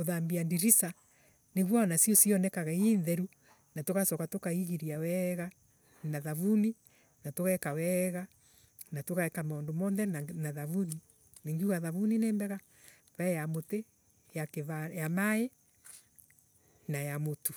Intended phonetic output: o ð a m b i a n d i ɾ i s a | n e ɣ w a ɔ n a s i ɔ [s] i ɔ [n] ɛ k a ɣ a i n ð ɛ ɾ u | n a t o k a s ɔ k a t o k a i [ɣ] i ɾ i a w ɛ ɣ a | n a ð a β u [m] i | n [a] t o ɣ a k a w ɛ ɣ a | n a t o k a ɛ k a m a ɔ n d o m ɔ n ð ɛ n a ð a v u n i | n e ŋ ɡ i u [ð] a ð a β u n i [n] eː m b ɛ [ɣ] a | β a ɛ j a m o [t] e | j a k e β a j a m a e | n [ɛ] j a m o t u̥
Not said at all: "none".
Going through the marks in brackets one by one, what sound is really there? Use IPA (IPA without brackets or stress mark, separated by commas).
s, n, ɣ, n, a, ɣ, n, ɣ, t, a